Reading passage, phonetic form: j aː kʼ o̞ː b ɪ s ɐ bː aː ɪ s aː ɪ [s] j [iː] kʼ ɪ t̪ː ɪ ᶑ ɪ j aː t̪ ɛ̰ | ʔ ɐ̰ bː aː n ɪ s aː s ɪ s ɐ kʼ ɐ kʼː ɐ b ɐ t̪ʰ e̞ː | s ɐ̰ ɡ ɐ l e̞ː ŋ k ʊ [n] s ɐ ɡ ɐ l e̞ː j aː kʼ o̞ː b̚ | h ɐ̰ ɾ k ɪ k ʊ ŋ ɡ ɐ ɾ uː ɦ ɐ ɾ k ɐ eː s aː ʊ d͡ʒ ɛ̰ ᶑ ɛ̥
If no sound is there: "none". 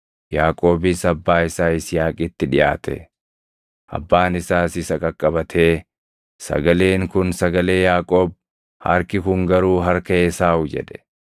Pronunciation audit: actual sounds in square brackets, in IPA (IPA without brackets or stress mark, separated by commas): s, aː, n